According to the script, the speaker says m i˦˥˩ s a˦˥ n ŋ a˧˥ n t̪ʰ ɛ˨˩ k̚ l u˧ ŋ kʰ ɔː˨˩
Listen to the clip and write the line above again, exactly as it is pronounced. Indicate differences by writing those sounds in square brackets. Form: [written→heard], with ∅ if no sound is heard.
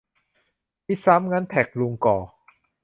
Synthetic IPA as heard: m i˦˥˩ s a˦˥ [n→m] ŋ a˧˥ n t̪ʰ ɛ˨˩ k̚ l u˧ ŋ [kʰ→k] ɔː˨˩

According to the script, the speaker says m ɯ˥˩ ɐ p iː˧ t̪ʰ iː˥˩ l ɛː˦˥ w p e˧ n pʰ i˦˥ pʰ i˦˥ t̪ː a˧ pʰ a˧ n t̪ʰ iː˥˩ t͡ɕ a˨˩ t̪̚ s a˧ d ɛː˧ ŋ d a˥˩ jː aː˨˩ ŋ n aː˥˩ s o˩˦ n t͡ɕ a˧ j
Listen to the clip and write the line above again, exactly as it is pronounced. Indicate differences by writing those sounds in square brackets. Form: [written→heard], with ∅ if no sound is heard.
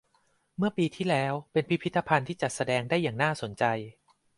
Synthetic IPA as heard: m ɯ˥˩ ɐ p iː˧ t̪ʰ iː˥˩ l ɛː˦˥ w p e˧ n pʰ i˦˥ pʰ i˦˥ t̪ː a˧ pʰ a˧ n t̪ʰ iː˥˩ t͡ɕ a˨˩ t̪̚ s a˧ d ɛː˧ ŋ d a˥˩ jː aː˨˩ ŋ n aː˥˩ s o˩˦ n t͡ɕ a˧ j

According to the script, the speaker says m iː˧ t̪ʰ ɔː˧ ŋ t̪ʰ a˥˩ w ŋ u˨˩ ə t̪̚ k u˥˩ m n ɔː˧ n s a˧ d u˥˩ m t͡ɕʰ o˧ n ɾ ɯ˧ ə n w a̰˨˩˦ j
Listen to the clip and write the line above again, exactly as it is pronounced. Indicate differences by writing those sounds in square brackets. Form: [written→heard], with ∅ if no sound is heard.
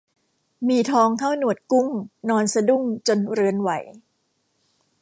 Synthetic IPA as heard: m iː˧ t̪ʰ ɔː˧ ŋ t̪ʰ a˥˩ w [ŋ→n] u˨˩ ə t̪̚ k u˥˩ m n ɔː˧ n s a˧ d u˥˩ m [t͡ɕʰ→t͡ɕ] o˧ n ɾ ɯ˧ ə n w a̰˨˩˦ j

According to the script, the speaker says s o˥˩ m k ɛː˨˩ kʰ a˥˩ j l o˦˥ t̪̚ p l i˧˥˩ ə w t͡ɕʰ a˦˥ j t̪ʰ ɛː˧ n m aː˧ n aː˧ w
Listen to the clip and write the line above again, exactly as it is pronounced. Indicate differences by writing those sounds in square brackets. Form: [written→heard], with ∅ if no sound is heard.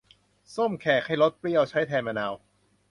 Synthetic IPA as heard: s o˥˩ m [k→kʰ] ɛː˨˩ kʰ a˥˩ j l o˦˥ t̪̚ p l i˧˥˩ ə w t͡ɕʰ a˦˥ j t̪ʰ ɛː˧ n m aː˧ n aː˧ w

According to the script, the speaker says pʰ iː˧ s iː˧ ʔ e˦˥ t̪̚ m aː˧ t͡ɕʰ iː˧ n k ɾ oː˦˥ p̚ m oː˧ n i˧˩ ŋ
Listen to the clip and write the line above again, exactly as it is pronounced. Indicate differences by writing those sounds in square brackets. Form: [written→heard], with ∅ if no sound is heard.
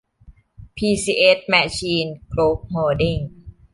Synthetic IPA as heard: pʰ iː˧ s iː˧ ʔ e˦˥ t̪̚ m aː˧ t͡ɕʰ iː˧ n k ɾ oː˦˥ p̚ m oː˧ [n→d] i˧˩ ŋ

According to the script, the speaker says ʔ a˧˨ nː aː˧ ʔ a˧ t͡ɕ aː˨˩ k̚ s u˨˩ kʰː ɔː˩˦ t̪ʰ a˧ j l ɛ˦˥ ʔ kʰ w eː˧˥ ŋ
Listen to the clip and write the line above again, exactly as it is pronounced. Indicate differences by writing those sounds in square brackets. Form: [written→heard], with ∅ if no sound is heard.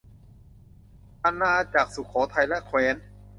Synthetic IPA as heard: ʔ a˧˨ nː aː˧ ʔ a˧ t͡ɕ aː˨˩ k̚ s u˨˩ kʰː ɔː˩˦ t̪ʰ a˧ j l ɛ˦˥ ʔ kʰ w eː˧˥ [ŋ→n]

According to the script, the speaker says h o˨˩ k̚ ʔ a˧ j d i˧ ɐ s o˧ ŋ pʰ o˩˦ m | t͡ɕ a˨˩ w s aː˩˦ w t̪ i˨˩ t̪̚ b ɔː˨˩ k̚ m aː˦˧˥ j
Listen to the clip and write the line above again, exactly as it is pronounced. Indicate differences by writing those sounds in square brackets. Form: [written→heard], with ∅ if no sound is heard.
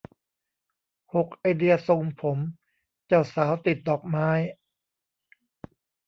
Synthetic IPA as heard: h o˨˩ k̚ ʔ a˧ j d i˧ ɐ s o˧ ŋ pʰ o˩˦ m | t͡ɕ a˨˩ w s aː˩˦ w t̪ i˨˩ t̪̚ [b→d] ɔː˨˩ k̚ m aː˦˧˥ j

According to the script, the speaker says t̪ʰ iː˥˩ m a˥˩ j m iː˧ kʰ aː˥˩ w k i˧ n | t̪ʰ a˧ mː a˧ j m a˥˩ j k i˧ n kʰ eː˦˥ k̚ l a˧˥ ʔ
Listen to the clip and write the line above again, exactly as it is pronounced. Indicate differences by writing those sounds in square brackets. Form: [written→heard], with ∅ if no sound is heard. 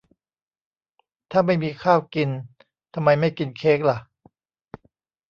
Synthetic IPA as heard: t̪ʰ [iː˥˩→aː˥˩] m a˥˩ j m iː˧ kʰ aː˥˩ w k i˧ n | t̪ʰ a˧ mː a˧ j m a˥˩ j k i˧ n kʰ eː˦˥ k̚ l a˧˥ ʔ

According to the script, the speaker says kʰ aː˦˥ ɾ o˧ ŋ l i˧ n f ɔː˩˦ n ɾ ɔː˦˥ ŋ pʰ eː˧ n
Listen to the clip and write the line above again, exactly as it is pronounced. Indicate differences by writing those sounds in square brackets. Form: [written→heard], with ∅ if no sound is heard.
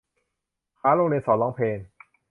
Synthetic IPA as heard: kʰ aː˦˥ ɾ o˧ ŋ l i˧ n [f→s] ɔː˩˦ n [ɾ→l] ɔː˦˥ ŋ pʰ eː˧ n

